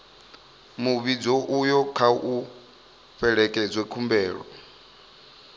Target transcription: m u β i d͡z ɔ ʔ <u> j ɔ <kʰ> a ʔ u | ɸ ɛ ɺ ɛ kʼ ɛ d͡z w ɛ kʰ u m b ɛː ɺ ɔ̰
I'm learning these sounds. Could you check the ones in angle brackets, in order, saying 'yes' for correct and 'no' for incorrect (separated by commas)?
yes, yes